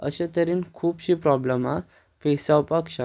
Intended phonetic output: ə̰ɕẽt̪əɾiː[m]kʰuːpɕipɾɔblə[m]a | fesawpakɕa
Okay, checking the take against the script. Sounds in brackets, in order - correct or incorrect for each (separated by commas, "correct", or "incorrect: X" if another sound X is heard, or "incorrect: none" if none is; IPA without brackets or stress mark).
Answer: incorrect: n, correct